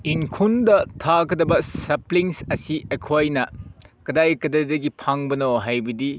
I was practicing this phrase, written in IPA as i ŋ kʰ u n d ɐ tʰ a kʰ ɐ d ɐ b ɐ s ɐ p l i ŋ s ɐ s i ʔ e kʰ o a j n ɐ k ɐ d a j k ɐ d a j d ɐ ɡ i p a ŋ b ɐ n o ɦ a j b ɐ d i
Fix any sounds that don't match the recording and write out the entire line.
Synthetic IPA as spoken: i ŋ kʰ u n d ɐ tʰ a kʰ ɐ d ɐ b ɐ s ɐ p l i ŋ s ɐ s i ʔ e kʰ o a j n ɐ k ɐ d a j k ɐ d a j d ɐ ɡ i pʰ a ŋ b ɐ n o ɦ a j b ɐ d i